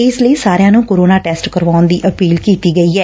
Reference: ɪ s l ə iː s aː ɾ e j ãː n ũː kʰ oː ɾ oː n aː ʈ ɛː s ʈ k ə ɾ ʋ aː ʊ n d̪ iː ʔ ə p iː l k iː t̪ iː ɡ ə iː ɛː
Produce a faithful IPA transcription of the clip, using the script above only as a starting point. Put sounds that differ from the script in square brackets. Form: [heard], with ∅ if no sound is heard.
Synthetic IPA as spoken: ɪ s l ə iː s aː ɾ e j ãː n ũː [k] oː ɾ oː n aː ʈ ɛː s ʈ k ə ɾ ʋ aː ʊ n d̪ iː ʔ ə p iː l k iː t̪ iː ɡ ə iː ɛː